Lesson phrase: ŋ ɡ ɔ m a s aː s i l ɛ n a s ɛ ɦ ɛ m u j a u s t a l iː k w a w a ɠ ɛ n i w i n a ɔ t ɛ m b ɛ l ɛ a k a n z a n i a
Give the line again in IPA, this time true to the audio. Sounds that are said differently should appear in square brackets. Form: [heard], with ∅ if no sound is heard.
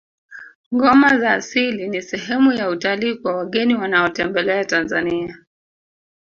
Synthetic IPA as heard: ŋ ɡ ɔ m a [z] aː s i l [i] n [i] s ɛ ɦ ɛ m u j a u [∅] t a l iː k w a w a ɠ ɛ n i w [a] n a ɔ t ɛ m b ɛ l ɛ a [t] a n z a n i a